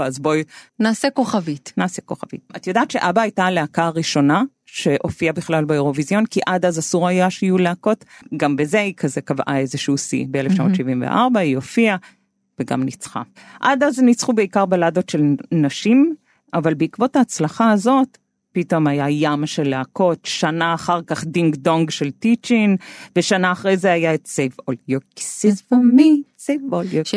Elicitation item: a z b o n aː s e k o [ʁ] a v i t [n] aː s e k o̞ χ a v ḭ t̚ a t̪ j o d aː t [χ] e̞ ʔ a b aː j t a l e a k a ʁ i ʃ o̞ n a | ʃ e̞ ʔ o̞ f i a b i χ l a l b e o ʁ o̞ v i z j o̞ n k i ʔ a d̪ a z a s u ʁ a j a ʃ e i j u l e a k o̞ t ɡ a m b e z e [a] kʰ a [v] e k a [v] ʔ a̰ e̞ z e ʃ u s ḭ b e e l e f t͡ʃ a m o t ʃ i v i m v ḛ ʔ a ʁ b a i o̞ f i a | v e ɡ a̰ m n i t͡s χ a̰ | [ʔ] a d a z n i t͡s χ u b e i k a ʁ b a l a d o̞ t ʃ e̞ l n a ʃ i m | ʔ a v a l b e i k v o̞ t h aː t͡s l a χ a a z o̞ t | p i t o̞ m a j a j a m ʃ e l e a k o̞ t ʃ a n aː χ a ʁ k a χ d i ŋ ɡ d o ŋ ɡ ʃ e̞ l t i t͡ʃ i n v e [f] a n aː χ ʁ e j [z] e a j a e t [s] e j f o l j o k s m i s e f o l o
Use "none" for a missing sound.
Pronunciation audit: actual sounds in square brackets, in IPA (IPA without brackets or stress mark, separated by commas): χ, n, ʃ, i, z, v, ʔ, ʃ, z, s